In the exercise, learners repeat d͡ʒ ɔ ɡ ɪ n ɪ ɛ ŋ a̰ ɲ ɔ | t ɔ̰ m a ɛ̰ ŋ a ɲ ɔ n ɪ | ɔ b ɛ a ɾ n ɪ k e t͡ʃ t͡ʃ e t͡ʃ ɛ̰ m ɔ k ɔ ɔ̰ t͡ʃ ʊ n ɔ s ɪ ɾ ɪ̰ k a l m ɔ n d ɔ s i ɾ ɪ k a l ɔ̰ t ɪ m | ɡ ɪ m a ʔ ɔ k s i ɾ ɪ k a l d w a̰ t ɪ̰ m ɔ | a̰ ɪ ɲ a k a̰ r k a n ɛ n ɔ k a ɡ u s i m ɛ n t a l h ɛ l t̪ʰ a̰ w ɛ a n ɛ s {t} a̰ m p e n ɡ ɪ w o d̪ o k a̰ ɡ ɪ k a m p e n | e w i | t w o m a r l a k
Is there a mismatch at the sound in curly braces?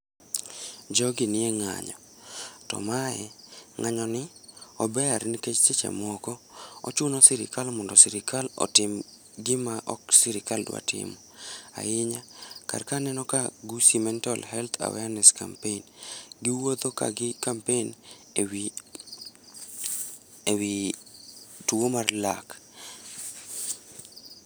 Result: yes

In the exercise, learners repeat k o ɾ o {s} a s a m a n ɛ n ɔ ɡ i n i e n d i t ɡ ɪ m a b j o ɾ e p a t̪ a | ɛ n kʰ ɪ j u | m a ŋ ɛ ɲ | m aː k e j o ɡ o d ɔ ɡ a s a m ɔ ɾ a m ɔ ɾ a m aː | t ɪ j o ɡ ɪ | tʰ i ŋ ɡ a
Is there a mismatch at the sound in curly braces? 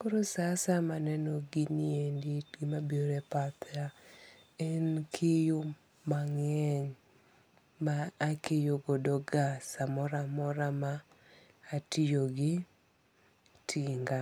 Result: no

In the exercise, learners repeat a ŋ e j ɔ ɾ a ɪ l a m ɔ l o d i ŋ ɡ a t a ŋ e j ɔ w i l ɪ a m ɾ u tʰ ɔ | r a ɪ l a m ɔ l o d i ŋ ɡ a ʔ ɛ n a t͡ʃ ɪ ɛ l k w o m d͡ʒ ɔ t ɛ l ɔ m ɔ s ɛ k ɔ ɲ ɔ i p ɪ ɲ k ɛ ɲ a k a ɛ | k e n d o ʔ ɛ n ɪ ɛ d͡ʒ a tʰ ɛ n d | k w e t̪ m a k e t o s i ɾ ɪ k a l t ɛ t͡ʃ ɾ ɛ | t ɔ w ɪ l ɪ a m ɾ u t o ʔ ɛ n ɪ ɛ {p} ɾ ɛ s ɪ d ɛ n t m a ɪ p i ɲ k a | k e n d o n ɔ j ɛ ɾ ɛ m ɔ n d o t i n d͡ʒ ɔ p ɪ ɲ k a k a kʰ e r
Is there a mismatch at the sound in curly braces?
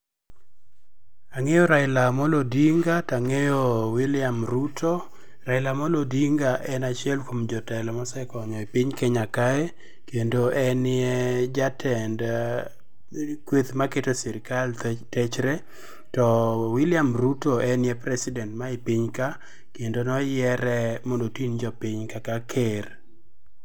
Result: no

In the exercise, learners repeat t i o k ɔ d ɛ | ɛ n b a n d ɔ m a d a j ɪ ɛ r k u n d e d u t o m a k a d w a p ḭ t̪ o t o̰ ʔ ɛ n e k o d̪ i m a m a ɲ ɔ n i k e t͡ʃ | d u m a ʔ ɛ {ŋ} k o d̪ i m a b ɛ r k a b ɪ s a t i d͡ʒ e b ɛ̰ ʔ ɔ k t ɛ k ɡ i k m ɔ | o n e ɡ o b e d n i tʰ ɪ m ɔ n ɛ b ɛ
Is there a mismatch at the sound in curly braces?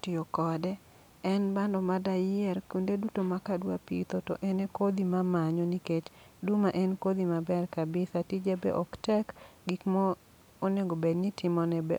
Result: yes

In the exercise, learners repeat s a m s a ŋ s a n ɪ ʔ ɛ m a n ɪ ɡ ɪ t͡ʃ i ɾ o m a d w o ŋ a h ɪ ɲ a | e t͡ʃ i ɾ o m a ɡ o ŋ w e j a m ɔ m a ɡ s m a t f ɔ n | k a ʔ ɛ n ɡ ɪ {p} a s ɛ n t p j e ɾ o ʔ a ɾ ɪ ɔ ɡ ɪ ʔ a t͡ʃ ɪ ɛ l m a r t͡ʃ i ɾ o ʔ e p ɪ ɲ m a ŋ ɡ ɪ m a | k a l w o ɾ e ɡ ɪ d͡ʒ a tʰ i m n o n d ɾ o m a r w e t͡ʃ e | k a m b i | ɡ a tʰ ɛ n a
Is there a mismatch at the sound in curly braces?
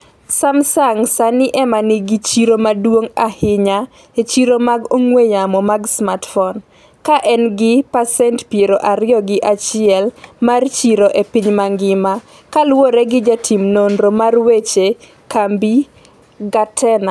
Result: no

